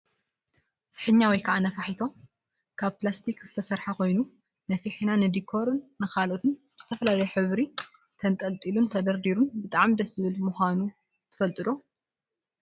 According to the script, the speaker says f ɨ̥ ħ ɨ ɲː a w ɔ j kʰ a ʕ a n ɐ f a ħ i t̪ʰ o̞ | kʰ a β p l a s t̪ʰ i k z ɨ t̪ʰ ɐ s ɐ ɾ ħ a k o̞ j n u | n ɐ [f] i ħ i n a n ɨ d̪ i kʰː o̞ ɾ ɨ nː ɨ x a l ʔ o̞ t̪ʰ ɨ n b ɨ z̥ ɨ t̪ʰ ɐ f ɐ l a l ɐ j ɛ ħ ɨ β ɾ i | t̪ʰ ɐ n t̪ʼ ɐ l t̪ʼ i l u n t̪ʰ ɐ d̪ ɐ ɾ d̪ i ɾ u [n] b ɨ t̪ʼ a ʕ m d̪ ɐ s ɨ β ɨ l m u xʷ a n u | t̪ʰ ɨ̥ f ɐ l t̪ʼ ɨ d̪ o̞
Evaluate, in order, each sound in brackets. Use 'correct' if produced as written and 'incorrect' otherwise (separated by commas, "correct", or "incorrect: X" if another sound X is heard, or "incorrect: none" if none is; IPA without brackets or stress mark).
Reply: correct, correct